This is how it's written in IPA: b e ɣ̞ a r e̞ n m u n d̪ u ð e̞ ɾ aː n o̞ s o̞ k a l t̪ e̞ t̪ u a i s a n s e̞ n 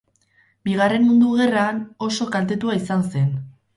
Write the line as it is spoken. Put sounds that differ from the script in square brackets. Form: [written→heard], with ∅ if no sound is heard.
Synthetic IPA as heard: b [e→i] ɣ̞ a r e̞ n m u n d̪ u [ð→ɣ] e̞ [ɾ→r] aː n o̞ s o̞ k a l t̪ e̞ t̪ u a i s a n s e̞ n